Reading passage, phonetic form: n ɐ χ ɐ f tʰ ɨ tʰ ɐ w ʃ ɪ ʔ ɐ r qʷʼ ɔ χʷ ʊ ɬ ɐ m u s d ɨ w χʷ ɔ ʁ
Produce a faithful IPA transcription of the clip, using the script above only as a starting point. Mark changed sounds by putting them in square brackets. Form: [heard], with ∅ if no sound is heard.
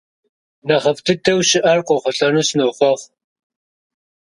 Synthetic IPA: n ɐ χ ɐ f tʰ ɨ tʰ ɐ w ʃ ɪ ʔ ɐ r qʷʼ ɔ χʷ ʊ ɬ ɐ [n] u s [n] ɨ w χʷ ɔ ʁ

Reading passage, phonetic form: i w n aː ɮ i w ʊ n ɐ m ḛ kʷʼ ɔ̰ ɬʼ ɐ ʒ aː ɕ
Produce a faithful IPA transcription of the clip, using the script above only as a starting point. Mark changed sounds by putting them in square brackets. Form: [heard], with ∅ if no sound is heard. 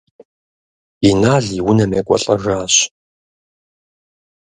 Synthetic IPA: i [∅] n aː ɮ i w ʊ n ɐ m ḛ kʷʼ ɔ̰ ɬʼ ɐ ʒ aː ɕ

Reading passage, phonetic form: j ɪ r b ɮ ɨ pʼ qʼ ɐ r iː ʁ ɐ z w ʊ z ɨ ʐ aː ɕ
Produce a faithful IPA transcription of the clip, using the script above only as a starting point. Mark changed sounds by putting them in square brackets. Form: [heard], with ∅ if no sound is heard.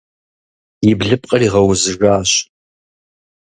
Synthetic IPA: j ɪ [∅] b ɮ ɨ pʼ qʼ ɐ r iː ʁ ɐ [∅] w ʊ z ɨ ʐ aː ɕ

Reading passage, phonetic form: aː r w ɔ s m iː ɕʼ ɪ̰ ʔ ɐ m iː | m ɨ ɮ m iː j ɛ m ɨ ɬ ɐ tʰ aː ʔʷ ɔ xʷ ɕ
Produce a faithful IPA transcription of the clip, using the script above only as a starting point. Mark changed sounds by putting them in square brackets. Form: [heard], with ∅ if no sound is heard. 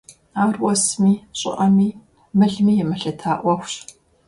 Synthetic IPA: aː r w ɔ s m iː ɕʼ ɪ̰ ʔ ɐ m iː | m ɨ ɮ m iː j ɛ m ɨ ɬ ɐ tʰ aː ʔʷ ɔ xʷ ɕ

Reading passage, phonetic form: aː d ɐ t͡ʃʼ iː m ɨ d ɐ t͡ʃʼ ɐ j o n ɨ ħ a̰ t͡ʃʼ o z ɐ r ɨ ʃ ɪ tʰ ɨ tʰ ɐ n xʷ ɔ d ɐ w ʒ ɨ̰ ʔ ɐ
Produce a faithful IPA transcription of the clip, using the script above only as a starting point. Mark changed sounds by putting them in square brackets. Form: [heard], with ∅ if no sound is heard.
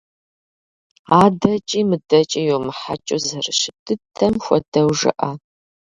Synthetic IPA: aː d ɐ t͡ʃʼ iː m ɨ d ɐ t͡ʃʼ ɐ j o [m] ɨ ħ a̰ t͡ʃʼ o z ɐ r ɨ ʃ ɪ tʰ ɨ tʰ ɐ [m] xʷ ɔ d ɐ w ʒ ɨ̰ ʔ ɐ

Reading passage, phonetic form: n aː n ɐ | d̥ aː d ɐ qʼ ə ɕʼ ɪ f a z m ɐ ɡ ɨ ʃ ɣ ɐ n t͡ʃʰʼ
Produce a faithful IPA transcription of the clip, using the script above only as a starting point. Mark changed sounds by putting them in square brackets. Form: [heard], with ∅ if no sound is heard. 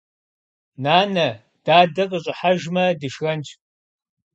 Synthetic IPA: n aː n ɐ | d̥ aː d ɐ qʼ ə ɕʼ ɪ [ħ] a [ʒ] m ɐ [d] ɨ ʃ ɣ ɐ n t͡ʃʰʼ

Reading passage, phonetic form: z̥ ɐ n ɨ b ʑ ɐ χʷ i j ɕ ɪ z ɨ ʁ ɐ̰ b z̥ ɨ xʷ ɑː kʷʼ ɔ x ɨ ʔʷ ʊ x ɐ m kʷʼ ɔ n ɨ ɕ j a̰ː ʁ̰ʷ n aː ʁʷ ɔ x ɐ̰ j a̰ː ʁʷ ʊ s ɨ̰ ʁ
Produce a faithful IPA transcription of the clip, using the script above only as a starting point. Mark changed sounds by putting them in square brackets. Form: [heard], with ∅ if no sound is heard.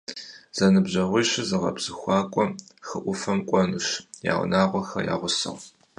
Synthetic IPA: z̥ ɐ n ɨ b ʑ ɐ [ʁʷ] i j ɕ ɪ z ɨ ʁ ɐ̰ b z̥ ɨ xʷ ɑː kʷʼ ɔ x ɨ ʔʷ ʊ [f] ɐ m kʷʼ ɔ n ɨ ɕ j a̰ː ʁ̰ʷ n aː ʁʷ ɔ x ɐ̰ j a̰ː ʁʷ ʊ s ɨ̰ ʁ

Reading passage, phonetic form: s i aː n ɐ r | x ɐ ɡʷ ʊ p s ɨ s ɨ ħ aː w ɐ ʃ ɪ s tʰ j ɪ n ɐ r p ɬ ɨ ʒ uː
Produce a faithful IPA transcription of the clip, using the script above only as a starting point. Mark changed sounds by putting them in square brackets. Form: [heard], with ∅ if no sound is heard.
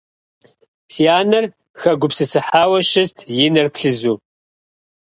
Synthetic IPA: s i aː n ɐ r | x ɐ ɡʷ ʊ p s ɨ s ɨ ħ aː w ɐ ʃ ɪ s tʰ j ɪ n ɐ r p ɬ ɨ [z] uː

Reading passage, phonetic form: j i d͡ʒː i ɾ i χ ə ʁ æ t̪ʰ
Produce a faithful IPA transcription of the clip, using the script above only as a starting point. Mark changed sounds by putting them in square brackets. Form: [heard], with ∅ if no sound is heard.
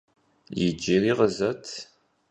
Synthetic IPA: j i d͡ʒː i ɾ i [ʁ] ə [z] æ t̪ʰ

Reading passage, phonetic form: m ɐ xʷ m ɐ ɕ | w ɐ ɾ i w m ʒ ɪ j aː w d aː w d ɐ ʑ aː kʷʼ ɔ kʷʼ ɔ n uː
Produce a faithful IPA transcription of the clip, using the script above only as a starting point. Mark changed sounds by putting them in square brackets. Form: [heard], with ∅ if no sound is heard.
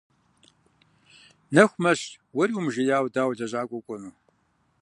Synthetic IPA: [n] ɐ xʷ m ɐ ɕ | w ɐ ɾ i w m ʒ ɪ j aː w d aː w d ɐ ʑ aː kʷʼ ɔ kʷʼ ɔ n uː

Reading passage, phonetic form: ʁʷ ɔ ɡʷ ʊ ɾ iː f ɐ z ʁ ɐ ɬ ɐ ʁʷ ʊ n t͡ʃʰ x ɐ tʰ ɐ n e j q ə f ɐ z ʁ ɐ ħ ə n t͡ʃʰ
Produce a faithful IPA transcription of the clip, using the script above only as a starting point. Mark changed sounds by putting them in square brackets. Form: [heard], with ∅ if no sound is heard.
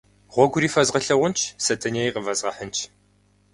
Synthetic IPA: ʁʷ ɔ ɡʷ ʊ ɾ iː f ɐ z ʁ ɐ ɬ ɐ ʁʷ ʊ n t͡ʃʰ [s] ɐ tʰ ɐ n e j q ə [v] ɐ z ʁ ɐ ħ ə n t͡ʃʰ

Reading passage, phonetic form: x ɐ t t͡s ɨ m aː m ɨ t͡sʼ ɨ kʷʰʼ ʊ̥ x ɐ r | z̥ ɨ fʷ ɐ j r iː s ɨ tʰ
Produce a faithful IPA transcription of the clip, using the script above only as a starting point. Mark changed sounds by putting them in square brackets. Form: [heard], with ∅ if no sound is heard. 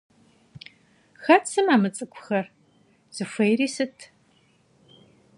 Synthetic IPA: x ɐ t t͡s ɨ m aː m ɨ t͡sʼ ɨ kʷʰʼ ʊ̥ x ɐ r | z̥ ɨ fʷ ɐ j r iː s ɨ tʰ

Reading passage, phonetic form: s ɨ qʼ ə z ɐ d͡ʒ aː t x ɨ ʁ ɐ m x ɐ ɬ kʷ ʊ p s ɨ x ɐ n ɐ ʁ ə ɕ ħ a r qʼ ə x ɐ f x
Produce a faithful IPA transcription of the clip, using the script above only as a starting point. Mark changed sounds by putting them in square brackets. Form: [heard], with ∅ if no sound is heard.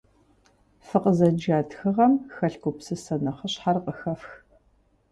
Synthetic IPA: [f] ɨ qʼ ə z ɐ d͡ʒ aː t x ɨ ʁ ɐ m x ɐ ɬ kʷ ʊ p s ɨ [s] ɐ n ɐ [χ] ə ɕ ħ a r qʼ ə x ɐ f x

